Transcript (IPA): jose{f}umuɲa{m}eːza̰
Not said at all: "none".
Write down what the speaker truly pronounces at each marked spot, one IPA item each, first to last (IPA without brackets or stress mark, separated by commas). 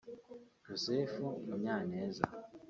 f, n